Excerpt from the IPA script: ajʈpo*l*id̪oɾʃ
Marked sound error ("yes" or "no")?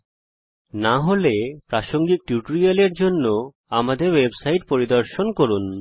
yes